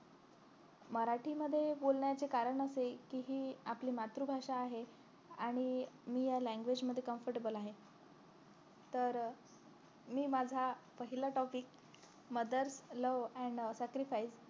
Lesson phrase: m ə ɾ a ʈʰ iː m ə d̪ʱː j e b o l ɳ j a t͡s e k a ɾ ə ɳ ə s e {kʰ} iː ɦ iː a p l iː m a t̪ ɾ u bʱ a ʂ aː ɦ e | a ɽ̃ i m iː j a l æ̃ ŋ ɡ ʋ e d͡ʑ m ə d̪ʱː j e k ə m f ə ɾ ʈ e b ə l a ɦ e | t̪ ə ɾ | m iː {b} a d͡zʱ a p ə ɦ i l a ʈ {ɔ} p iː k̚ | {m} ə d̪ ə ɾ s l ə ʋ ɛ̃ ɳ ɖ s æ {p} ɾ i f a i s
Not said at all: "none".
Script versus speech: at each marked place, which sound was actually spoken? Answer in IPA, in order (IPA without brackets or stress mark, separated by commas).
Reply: k, m, ɔ, m, k